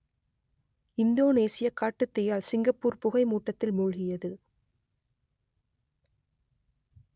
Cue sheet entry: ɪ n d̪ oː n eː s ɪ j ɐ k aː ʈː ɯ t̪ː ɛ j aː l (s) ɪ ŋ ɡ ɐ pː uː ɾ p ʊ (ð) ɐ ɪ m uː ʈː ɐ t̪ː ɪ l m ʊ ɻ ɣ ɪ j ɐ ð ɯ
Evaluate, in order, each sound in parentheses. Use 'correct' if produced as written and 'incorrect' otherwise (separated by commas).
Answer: correct, incorrect